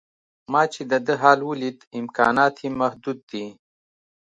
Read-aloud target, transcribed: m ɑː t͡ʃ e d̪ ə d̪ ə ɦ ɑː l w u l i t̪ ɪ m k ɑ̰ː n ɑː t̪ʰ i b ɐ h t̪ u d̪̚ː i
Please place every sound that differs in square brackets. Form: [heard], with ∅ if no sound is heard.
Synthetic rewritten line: m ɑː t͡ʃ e d̪ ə d̪ ə ɦ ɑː l w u l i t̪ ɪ m k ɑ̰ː n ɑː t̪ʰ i [m] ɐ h [d̪] u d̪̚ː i